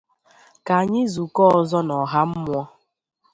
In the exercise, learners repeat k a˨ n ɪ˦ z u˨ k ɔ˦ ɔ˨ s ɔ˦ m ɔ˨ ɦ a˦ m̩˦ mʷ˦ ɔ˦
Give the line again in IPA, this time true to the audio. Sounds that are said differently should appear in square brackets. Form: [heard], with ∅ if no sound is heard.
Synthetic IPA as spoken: k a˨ [ɲ] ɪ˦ z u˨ k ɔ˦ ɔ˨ [z] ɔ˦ [n] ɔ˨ ɦ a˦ m̩˦ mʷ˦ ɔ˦